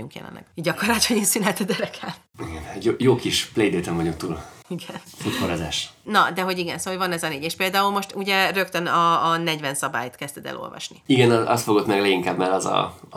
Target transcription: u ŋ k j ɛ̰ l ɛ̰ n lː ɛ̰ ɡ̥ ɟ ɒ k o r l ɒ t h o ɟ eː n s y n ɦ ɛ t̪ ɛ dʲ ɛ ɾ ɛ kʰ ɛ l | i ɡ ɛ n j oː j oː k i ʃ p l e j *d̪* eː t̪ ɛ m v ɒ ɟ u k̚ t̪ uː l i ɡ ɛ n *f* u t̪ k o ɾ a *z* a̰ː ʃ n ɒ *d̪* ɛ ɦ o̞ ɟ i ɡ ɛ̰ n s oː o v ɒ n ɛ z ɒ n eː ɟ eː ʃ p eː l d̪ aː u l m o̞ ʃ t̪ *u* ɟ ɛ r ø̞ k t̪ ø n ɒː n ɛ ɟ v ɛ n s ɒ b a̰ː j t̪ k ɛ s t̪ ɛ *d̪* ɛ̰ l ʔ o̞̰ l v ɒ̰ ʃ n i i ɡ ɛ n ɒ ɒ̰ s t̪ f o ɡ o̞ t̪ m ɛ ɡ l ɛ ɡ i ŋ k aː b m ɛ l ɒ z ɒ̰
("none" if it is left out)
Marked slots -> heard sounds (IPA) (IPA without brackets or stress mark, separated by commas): d̪, f, z, d̪, u, d̪